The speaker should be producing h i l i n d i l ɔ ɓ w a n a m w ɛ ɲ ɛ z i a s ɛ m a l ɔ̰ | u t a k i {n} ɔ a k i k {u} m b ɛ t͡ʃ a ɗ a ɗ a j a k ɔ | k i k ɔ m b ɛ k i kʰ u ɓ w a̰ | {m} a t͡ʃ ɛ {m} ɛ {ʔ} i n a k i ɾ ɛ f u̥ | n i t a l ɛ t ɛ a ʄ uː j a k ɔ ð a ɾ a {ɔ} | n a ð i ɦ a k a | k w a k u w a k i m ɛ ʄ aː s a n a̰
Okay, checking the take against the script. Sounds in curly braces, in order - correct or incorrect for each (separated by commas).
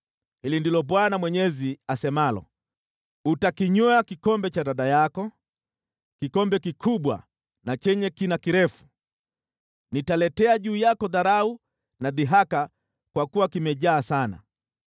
incorrect, incorrect, incorrect, incorrect, incorrect, incorrect